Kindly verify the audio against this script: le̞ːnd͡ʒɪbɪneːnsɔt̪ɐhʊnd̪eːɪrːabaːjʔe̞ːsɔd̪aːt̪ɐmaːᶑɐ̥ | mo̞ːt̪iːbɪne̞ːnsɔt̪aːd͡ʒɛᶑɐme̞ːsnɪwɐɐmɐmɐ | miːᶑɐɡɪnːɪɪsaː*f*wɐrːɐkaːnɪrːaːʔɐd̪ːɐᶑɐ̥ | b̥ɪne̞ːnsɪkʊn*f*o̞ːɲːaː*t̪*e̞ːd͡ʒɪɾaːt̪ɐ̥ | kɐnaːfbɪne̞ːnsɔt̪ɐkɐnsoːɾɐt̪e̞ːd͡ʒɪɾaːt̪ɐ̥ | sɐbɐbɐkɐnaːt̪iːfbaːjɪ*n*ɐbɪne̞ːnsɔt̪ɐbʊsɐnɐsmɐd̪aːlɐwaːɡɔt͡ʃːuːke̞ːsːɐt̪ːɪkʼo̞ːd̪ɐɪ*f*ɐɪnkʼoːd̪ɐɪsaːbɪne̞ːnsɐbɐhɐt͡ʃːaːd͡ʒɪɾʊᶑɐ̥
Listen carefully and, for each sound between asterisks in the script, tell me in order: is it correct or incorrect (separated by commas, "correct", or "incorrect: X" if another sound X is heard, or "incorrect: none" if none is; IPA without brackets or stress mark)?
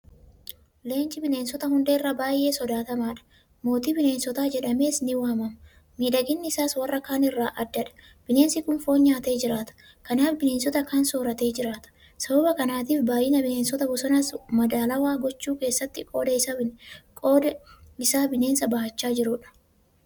incorrect: s, correct, correct, correct, incorrect: s